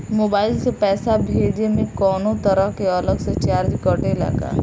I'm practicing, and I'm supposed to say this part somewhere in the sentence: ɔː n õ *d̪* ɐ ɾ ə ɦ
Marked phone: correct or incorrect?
incorrect